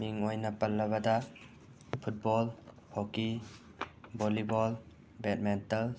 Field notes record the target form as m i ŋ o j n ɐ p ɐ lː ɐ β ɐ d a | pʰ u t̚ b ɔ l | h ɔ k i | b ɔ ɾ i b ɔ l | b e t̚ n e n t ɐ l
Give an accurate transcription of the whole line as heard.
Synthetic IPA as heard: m i ŋ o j n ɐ p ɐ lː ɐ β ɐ d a | pʰ u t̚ b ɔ l | h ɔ k i | b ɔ l i b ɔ l | b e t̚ m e n t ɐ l